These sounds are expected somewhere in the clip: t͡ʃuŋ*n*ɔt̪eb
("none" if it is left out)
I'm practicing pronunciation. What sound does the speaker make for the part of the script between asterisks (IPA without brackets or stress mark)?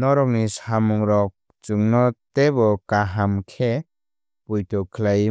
n